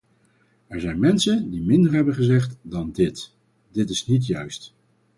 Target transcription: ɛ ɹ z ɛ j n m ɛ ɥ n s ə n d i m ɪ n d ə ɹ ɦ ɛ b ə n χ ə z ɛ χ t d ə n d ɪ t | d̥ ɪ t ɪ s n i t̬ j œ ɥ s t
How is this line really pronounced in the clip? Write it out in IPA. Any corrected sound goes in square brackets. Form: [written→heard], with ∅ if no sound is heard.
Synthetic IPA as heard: ɛ ɹ z ɛ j n m ɛ [ɥ→∅] n s ə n d i m ɪ n d ə ɹ ɦ ɛ b ə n χ ə z ɛ χ t d [ə→ɑ] n d ɪ t | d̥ ɪ t ɪ s n i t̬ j œ ɥ s t